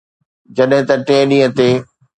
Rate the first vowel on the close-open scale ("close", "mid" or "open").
open